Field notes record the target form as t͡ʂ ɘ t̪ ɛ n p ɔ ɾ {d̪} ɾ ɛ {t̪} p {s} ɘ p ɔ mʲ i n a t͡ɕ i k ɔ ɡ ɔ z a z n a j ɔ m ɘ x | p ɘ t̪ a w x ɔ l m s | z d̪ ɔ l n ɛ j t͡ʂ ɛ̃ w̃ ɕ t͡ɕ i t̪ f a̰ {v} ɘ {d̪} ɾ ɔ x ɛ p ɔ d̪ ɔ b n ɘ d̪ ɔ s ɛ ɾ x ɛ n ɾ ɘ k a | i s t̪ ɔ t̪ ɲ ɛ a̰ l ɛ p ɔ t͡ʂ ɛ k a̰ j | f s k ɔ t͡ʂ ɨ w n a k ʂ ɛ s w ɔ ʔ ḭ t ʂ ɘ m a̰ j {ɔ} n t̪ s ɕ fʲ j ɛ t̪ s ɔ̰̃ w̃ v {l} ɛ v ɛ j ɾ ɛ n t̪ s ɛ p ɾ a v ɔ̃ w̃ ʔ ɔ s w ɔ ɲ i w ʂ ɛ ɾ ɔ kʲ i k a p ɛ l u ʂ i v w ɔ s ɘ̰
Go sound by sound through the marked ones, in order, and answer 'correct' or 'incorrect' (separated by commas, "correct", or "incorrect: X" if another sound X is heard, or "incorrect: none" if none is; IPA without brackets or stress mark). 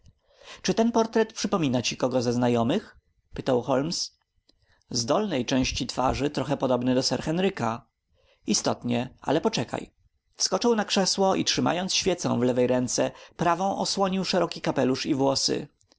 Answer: incorrect: t̪, correct, incorrect: ʂ, incorrect: ʐ, incorrect: t̪, correct, correct